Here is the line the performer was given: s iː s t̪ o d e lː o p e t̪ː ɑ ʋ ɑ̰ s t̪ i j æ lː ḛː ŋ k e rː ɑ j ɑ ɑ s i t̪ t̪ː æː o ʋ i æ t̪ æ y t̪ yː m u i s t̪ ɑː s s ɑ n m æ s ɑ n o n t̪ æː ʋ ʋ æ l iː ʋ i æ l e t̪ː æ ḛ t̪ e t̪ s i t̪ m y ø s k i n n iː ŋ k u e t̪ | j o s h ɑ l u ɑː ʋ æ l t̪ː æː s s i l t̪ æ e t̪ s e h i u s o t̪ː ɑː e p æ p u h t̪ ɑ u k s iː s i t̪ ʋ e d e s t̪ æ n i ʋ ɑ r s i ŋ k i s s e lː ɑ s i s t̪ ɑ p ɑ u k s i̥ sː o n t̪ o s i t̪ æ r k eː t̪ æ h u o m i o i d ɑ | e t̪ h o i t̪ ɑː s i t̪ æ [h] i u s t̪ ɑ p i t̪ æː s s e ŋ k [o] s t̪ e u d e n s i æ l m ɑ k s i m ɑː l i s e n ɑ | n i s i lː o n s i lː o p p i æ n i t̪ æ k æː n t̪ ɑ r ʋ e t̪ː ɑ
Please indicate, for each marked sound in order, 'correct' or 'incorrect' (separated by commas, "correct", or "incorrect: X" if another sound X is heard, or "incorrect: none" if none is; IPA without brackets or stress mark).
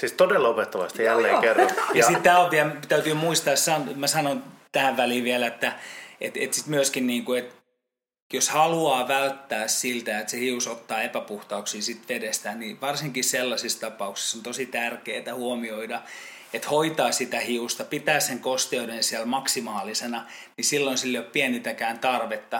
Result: correct, correct